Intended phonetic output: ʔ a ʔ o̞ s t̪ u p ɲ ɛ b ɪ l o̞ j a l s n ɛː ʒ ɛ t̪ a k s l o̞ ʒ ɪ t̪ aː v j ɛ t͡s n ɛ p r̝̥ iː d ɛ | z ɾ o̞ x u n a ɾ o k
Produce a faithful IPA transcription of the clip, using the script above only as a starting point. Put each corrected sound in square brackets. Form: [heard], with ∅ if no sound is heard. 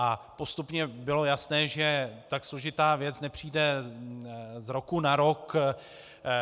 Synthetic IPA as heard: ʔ a [p] o̞ s t̪ u p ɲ ɛ b ɪ l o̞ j a [∅] s n ɛː ʒ ɛ t̪ a k s l o̞ ʒ ɪ t̪ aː v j ɛ t͡s n ɛ p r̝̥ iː d ɛ | z ɾ o̞ [k] u n a ɾ o k